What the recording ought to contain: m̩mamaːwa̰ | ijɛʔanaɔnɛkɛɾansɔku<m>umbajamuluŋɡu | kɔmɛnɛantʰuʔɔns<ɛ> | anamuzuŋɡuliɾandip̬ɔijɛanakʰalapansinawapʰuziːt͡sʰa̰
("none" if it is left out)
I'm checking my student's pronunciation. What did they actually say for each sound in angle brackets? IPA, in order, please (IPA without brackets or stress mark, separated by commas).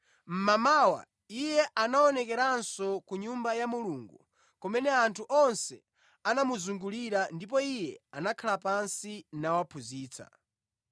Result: ɲ, ɛ